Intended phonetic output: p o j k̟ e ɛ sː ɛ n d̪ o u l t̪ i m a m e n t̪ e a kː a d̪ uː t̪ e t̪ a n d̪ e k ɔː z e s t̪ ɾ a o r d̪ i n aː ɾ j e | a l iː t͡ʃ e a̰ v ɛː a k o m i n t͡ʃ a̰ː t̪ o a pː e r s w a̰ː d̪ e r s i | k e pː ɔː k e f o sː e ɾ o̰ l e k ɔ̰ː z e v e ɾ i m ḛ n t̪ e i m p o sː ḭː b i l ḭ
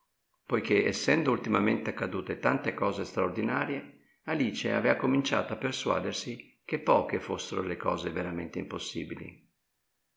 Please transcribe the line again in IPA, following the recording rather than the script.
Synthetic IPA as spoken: p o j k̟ e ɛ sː ɛ n d̪ o u l t̪ i m a m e n t̪ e a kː a d̪ uː t̪ e t̪ a n t̪ e k ɔː z e s t̪ ɾ a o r d̪ i n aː ɾ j e | a l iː t͡ʃ e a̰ v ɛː a k o m i n t͡ʃ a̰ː t̪ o a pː e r s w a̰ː d̪ e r s i | k e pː ɔː k e f o sː e ɾ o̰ l e k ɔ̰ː z e v e ɾ a m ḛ n t̪ e i m p o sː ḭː b i l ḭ